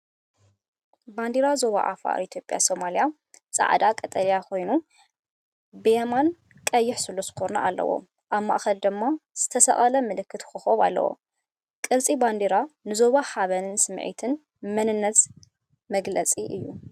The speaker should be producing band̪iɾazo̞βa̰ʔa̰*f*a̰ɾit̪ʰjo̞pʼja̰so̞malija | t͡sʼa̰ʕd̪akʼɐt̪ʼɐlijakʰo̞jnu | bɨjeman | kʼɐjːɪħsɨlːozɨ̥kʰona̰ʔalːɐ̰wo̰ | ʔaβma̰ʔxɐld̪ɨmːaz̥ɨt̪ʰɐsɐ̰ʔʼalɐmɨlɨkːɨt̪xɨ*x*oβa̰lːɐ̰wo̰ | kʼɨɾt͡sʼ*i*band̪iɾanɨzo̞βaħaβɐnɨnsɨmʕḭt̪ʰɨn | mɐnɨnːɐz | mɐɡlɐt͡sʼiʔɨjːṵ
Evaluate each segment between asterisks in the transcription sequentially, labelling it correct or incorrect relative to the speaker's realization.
correct, correct, correct

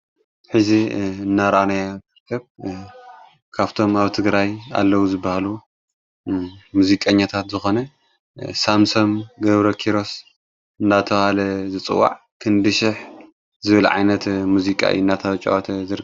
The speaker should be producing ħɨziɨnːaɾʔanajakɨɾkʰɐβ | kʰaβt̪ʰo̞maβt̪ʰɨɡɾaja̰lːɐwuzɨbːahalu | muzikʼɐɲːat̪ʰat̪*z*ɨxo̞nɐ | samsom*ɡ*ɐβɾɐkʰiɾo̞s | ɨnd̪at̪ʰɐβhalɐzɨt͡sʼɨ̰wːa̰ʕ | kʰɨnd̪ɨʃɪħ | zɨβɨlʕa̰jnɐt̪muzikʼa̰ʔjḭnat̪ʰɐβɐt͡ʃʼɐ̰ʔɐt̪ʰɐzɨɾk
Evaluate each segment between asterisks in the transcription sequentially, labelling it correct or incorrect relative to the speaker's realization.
correct, correct

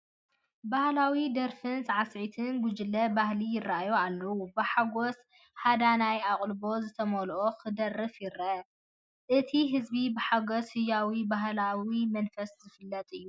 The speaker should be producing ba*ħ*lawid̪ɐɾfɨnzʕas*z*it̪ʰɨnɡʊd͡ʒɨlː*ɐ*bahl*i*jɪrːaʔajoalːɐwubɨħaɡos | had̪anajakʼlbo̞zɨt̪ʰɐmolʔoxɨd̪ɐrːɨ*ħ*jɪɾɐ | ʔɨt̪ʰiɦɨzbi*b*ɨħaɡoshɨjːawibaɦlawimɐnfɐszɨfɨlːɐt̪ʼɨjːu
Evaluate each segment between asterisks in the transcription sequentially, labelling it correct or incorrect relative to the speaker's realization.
incorrect: h, incorrect: ʕ, correct, correct, incorrect: f, correct

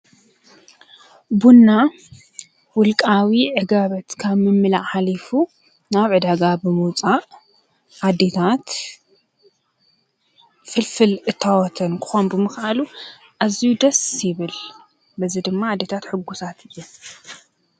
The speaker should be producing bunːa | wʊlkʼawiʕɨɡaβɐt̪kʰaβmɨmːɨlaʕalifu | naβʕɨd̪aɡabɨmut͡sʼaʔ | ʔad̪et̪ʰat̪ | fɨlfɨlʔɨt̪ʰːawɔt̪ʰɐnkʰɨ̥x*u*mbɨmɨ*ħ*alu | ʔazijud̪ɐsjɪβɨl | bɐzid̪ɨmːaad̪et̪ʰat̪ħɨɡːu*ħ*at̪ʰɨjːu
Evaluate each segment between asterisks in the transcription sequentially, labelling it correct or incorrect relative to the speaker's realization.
incorrect: o, incorrect: x, incorrect: s

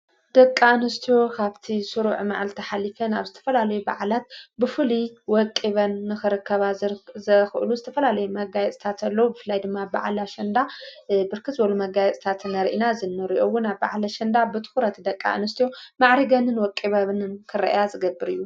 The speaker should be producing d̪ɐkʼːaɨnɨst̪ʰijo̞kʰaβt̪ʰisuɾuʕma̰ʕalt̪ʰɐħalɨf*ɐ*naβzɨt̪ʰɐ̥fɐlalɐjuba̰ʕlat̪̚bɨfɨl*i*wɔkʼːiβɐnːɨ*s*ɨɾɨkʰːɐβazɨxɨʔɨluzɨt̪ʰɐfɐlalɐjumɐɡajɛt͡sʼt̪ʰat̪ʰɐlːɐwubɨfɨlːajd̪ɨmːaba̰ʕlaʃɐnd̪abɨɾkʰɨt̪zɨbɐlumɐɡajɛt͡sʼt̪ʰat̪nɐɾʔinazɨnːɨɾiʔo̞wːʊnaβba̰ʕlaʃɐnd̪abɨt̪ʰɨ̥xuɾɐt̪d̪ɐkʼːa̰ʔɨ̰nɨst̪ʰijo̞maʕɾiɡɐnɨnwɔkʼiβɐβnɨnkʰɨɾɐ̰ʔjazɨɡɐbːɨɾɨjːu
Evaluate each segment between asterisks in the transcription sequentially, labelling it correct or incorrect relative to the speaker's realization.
correct, correct, incorrect: x

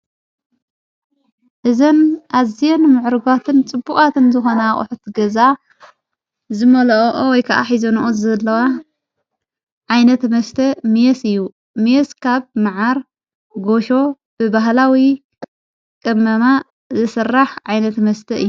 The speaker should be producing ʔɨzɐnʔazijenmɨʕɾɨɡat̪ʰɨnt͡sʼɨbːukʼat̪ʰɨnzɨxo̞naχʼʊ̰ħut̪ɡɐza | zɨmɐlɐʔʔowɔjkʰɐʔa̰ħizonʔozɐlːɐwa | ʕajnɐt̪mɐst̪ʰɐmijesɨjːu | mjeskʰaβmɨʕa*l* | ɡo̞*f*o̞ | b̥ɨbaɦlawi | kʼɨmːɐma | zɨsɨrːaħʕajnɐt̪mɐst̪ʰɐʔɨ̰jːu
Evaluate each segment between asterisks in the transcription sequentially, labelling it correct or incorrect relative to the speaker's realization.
incorrect: ɾ, incorrect: ʃ

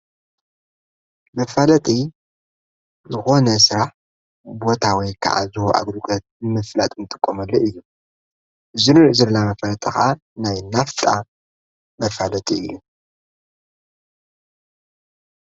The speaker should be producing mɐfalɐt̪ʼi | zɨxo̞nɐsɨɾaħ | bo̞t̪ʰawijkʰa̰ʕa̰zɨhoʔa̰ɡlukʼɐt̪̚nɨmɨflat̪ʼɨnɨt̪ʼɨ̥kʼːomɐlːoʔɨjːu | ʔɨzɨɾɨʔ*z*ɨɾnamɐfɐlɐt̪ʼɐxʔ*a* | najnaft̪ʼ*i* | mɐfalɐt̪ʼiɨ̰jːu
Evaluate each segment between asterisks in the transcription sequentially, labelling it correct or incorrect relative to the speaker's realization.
correct, correct, incorrect: a

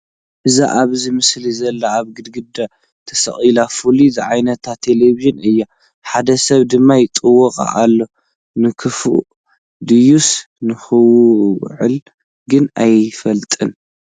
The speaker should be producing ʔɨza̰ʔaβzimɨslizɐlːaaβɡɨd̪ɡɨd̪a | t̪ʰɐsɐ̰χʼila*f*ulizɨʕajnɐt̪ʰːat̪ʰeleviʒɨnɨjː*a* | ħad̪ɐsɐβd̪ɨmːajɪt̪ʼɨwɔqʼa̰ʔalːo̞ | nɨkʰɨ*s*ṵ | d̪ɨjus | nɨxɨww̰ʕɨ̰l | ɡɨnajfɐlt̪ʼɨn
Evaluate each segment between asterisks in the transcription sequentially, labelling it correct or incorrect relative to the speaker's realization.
correct, correct, incorrect: f

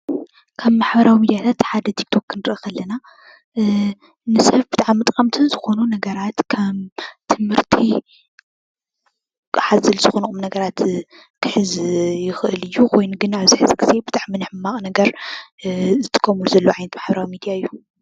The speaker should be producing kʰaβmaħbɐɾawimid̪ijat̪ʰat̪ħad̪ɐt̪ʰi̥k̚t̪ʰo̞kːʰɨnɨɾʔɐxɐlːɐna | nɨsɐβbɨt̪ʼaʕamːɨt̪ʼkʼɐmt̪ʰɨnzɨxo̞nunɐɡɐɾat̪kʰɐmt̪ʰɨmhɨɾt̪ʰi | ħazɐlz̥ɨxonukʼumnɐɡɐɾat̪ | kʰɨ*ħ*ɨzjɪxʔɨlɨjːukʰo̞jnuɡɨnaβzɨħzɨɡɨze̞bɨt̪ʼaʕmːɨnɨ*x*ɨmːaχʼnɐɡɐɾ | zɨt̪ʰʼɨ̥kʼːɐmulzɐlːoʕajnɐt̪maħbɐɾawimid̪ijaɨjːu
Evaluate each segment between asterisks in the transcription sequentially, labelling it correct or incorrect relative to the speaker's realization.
correct, incorrect: ħ

